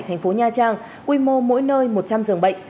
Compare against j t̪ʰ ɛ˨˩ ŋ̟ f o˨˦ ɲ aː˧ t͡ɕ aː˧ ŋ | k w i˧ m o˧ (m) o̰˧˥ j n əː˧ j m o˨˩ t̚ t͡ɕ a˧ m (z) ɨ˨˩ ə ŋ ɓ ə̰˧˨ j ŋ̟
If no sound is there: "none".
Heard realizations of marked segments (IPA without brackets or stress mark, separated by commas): m, z